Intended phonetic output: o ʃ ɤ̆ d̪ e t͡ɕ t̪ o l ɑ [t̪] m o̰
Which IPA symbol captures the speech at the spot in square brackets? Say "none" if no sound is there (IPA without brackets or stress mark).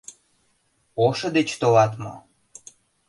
t̪